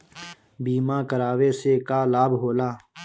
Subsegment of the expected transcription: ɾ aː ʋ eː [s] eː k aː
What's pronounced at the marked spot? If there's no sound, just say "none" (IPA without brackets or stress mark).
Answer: s